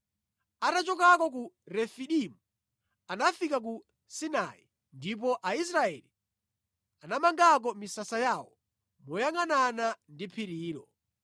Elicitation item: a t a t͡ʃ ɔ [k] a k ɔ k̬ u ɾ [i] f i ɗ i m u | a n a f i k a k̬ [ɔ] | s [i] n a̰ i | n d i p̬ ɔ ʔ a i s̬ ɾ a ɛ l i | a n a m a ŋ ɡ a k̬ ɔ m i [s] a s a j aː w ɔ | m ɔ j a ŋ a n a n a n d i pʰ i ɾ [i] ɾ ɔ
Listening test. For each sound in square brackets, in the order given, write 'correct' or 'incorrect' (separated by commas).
correct, incorrect, incorrect, correct, correct, incorrect